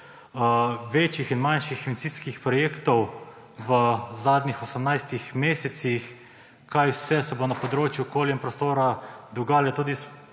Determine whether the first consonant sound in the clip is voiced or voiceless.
voiced